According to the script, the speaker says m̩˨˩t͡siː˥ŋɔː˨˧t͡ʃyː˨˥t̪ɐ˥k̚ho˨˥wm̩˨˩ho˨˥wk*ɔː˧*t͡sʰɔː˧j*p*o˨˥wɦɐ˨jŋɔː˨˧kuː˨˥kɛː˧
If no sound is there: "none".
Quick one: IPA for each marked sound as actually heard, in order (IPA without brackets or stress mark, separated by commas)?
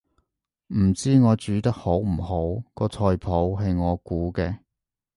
ɔː˧, pʰ